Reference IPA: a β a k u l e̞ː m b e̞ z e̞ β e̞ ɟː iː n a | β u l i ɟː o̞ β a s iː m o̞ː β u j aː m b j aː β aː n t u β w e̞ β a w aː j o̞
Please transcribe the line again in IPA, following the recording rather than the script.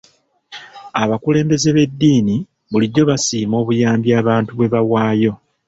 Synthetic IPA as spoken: a β a k u l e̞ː m b e̞ z e̞ β e̞ dː iː n i | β u l i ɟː o̞ β a s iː m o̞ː β u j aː m b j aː β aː n t u β w e̞ β a w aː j o̞